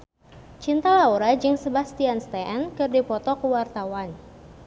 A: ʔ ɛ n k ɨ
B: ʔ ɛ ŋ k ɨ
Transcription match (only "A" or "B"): A